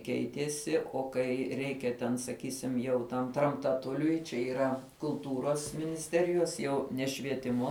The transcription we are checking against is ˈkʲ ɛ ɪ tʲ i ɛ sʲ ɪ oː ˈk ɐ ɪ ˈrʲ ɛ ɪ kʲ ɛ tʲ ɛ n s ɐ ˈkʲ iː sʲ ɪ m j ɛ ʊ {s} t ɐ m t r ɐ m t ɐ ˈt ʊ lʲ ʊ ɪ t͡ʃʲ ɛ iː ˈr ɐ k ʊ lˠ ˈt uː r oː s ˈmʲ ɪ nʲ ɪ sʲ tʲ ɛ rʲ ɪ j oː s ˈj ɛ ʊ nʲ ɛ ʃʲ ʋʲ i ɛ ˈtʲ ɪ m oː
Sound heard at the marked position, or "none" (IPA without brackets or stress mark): none